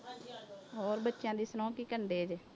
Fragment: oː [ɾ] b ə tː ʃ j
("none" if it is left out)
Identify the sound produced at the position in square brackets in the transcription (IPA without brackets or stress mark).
ɾ